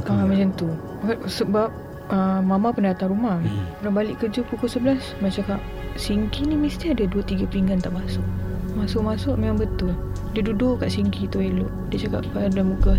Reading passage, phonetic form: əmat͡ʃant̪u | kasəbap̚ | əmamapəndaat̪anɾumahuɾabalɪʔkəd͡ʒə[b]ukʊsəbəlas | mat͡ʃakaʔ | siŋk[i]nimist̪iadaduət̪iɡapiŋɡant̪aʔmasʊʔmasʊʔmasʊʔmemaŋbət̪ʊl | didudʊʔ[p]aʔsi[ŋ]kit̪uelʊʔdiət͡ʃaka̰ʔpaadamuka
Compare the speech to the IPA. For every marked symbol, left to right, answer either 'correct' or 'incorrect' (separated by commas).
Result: incorrect, correct, incorrect, correct